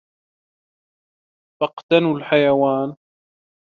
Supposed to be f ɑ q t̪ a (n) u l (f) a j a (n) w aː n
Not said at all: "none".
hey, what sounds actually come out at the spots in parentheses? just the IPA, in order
n, ħ, none

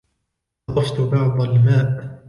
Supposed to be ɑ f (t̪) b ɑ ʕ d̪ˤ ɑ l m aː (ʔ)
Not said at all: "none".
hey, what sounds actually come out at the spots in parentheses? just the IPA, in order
t̪, ʔ

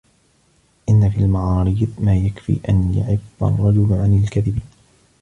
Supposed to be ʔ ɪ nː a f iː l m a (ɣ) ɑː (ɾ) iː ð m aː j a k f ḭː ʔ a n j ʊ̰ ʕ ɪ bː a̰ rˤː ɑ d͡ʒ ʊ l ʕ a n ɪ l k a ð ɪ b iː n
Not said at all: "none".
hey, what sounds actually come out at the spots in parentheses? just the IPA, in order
ʕ, ɾ

